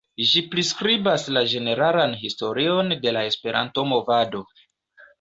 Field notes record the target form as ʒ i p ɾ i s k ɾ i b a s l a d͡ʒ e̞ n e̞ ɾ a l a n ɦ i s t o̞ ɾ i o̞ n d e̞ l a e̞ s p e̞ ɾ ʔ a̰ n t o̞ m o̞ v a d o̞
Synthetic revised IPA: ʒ i p ɾ i s k ɾ i b a s l a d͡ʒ e̞ n e̞ ɾ a l a n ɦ i s t o̞ ɾ i o̞ n d e̞ l a e̞ s p e̞ ɾ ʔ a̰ n t o̞ m o̞ v a d o̞